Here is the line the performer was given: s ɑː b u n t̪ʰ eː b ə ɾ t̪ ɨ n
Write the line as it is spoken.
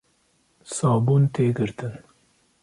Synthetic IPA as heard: s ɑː b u n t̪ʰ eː ɡ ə ɾ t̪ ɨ n